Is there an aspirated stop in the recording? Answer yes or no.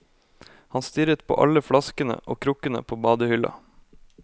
yes